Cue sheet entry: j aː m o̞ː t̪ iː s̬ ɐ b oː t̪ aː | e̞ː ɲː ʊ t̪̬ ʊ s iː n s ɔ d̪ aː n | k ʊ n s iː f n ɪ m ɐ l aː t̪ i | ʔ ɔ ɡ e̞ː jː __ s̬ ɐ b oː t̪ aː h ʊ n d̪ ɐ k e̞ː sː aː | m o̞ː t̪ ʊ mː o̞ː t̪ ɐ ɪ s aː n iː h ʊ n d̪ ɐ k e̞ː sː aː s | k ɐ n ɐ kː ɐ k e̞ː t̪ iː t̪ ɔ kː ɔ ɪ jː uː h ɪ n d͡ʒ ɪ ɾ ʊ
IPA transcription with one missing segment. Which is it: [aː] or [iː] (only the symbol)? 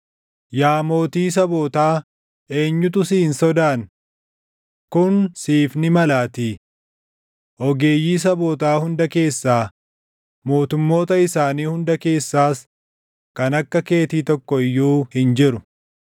iː